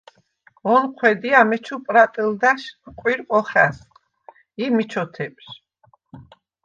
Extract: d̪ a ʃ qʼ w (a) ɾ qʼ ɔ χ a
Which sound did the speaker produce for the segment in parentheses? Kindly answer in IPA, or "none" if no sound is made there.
i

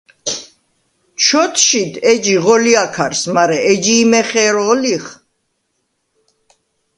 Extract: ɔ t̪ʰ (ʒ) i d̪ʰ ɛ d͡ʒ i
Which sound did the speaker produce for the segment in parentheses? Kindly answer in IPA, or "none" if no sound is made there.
ʃ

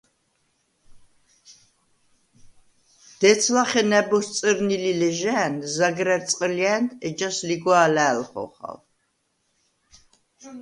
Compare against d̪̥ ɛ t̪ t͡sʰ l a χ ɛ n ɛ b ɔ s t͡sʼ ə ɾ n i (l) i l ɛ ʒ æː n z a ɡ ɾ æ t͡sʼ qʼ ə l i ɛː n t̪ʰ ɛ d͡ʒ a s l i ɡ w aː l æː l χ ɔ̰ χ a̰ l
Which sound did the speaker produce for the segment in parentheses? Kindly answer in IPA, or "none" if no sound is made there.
l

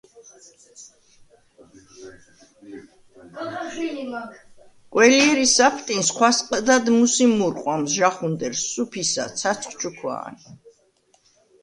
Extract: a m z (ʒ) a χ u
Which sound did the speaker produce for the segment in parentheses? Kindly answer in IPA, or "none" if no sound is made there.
ʒ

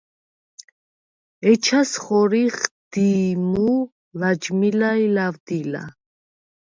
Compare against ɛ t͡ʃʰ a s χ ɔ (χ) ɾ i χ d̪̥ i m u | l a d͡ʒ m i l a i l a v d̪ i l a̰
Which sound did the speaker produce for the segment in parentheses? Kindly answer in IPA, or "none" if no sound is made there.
none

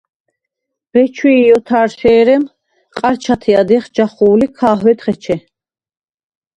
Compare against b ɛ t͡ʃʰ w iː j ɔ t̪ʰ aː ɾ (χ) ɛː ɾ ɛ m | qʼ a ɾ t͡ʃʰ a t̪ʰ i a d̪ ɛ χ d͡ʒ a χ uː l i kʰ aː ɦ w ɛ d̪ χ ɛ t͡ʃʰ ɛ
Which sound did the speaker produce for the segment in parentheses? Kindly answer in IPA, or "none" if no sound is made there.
ʃ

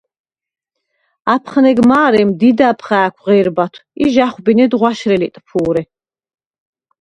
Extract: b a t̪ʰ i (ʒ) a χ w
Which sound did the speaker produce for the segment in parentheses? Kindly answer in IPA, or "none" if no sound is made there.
ʒ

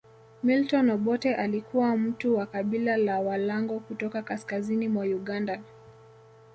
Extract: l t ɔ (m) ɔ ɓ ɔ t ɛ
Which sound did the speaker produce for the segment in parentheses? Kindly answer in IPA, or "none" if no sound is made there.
n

